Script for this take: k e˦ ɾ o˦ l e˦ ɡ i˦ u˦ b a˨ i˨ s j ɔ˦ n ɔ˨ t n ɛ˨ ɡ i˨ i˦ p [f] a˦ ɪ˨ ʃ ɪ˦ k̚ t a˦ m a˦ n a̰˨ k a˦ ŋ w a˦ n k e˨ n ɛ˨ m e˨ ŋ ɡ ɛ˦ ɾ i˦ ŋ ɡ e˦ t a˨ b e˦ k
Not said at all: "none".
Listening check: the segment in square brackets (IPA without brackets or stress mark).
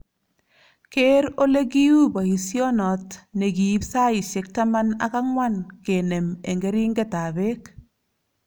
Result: s